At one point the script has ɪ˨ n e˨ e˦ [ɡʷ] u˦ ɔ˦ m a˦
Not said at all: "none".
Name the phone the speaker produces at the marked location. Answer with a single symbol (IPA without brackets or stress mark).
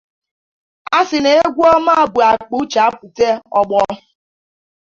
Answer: ɡʷ